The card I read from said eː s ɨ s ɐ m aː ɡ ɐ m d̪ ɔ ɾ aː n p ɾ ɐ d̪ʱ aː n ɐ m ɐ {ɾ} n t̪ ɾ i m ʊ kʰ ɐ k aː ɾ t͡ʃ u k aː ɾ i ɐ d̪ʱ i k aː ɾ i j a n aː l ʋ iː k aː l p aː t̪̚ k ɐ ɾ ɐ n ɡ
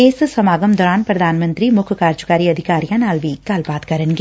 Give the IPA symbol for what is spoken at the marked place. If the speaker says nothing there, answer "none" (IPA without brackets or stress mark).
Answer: none